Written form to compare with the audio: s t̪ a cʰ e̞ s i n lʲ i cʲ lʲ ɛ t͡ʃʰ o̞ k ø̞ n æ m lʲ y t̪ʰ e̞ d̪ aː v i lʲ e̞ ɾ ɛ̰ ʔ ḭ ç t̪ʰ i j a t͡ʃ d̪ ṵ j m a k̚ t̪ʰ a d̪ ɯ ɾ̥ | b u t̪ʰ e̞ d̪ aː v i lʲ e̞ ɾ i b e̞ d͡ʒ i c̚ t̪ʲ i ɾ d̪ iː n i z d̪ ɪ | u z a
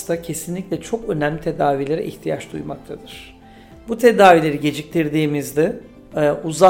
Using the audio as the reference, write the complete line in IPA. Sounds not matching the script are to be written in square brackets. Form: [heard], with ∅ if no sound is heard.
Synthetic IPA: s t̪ a cʰ e̞ s i n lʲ i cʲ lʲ ɛ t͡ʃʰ o̞ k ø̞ n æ m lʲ [i] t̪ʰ e̞ d̪ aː v i lʲ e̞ ɾ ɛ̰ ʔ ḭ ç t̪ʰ i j a t͡ʃ d̪ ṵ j m a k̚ t̪ʰ a d̪ ɯ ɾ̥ | b u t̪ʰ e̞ d̪ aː v i lʲ e̞ ɾ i [ɟ] e̞ d͡ʒ i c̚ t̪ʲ i ɾ d̪ iː [m] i z d̪ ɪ | u z a